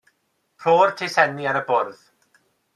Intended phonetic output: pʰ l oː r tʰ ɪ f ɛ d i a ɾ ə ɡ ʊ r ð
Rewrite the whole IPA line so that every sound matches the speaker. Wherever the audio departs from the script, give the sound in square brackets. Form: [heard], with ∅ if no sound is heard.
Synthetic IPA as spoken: pʰ [r] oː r tʰ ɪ [s] ɛ [n] i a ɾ ə [b] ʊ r ð